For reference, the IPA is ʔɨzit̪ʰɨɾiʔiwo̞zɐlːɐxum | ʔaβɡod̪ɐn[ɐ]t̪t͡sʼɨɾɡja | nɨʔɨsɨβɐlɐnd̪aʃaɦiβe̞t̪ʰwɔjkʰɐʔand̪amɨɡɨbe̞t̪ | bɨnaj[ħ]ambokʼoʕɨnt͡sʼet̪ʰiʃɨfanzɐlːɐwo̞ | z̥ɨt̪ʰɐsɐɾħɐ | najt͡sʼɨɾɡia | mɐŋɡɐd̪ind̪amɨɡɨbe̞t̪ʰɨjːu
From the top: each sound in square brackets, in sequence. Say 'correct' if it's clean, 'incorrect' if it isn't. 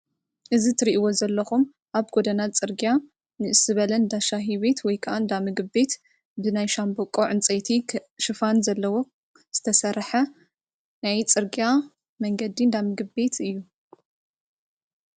incorrect, incorrect

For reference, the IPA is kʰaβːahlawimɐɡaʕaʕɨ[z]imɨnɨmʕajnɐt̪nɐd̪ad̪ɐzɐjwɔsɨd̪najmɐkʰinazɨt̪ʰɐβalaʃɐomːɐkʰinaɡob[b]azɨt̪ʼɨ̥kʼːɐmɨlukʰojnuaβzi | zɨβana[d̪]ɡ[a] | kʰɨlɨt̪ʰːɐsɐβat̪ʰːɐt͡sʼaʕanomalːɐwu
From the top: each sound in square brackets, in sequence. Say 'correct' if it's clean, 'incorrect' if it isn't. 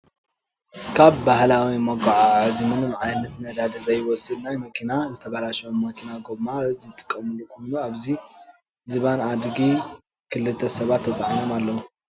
correct, incorrect, correct, incorrect

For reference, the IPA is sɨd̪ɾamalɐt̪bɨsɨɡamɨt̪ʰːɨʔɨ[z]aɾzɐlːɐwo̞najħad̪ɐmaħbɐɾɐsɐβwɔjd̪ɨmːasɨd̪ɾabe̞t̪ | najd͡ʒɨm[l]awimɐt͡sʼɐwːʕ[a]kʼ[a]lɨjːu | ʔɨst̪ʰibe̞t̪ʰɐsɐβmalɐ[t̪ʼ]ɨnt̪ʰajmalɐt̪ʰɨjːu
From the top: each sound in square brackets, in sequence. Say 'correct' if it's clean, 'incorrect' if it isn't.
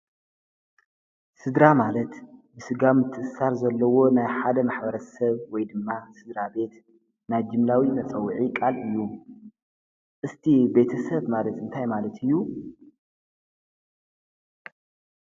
incorrect, correct, incorrect, correct, incorrect

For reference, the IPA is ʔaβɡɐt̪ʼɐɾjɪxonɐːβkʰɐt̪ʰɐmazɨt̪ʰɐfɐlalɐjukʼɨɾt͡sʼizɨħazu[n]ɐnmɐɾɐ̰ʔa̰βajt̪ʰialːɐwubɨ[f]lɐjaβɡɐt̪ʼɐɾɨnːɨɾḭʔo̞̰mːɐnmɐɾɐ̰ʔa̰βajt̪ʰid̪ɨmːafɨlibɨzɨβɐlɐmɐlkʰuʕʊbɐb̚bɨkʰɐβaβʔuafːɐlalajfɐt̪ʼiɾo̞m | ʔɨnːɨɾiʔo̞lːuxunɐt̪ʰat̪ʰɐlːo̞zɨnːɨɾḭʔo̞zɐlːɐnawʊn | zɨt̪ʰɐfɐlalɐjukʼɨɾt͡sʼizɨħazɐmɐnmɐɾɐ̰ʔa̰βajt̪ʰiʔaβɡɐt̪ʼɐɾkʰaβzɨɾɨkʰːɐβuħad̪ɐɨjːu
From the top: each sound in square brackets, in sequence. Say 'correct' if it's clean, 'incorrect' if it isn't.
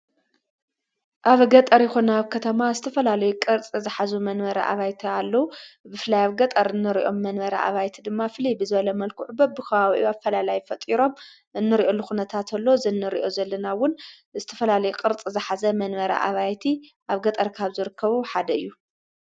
incorrect, correct

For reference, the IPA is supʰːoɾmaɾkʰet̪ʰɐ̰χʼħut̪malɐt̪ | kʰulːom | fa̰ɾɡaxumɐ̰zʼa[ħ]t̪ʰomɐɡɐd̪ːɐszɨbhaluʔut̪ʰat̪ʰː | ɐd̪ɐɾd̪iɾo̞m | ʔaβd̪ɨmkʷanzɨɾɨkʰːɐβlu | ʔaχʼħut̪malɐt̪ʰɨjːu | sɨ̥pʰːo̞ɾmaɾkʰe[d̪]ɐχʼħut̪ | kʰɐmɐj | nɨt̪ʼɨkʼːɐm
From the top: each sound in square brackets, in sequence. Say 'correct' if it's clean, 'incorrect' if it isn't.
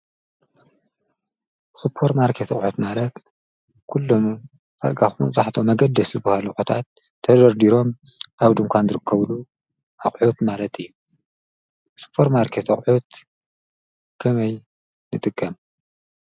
correct, incorrect

